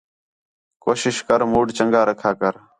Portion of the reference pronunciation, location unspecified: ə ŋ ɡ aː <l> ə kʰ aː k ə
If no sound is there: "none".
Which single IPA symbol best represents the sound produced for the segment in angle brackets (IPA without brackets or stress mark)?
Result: ɾ